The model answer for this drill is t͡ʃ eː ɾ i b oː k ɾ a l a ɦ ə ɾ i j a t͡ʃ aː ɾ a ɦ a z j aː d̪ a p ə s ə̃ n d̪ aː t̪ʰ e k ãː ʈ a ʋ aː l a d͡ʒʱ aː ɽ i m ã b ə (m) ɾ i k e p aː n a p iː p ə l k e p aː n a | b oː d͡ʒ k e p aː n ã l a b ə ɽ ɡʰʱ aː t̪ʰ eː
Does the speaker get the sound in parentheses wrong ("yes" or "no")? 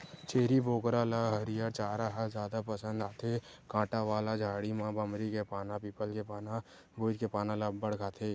no